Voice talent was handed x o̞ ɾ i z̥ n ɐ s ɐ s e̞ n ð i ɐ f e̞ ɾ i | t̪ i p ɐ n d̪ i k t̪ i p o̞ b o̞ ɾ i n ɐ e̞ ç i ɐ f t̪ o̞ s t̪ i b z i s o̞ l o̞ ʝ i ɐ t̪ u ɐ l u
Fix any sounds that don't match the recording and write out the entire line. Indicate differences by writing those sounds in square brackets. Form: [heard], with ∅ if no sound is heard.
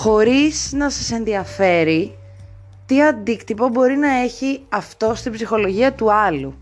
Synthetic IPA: x o̞ ɾ i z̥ n ɐ s ɐ s e̞ n ð i ɐ f e̞ ɾ i | t̪ i [∅] ɐ n d̪ i k t̪ i p o̞ b o̞ ɾ i n ɐ e̞ ç i ɐ f t̪ o̞ s t̪ i b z i [x] o̞ l o̞ ʝ i ɐ t̪ u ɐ l u